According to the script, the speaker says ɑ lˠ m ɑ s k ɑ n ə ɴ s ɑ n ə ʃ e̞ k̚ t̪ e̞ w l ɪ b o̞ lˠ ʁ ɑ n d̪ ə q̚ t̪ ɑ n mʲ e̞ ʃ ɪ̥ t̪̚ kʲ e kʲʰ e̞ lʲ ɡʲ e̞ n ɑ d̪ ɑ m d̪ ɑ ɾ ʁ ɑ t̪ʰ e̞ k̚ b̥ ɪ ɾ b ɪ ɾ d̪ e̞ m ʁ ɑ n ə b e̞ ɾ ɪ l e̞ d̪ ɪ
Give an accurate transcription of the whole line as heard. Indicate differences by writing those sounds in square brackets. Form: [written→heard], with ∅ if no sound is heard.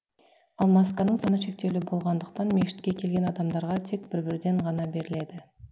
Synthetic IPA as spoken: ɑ lˠ m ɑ s k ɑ n ə ɴ s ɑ n ə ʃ e̞ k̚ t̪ e̞ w l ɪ b o̞ lˠ ʁ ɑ n d̪ ə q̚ t̪ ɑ n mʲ e̞ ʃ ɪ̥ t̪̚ kʲ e kʲʰ e̞ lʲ ɡʲ e̞ n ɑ d̪ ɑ m d̪ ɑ ɾ ʁ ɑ t̪ʰ e̞ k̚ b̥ ɪ ɾ b ɪ ɾ d̪ e̞ [m→ɴ] ʁ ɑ n [ə→ɑ] b e̞ ɾ ɪ l e̞ d̪ ɪ